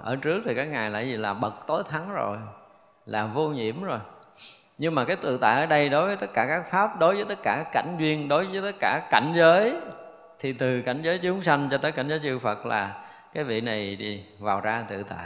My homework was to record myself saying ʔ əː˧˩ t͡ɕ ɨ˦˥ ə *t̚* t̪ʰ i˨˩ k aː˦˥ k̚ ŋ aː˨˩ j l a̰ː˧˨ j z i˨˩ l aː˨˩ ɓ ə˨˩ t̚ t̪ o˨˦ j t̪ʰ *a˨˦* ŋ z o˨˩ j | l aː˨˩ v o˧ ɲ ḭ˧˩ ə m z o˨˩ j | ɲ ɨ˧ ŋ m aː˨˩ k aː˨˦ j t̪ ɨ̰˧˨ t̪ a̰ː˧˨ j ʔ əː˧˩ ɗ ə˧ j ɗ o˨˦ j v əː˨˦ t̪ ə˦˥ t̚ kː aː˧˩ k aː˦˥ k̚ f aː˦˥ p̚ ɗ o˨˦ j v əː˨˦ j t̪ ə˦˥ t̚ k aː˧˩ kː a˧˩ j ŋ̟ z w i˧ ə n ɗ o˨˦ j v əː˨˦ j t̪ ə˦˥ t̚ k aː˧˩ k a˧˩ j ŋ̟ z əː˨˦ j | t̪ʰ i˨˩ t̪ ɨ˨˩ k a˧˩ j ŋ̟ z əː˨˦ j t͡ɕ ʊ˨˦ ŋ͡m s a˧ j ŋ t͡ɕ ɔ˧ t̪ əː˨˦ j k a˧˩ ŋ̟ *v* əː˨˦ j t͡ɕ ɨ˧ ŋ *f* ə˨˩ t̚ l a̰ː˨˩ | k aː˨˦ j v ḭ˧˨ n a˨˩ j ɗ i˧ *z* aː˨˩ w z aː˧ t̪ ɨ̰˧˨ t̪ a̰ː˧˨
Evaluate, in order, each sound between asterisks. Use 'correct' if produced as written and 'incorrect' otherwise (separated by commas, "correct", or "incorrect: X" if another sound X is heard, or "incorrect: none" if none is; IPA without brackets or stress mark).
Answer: incorrect: k̚, correct, incorrect: z, correct, incorrect: v